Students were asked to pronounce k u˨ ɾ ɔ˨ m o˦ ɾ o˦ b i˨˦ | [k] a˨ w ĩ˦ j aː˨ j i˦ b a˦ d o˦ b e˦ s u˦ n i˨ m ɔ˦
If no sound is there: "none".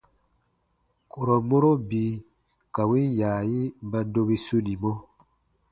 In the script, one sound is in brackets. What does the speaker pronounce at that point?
k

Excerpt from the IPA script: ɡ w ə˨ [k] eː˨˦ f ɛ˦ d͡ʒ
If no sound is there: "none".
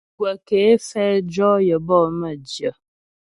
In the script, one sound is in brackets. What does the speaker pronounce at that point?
k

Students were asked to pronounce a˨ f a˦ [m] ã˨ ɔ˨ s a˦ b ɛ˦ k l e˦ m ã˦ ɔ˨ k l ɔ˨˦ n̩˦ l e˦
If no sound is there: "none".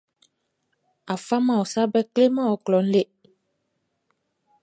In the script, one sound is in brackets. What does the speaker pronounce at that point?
m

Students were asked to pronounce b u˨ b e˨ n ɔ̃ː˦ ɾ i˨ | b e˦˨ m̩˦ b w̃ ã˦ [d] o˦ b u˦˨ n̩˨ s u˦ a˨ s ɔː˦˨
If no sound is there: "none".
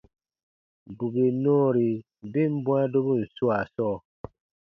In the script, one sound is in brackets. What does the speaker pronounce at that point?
d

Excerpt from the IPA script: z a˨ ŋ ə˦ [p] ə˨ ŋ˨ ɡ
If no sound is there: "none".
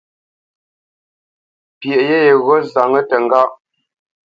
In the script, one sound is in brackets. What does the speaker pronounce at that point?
t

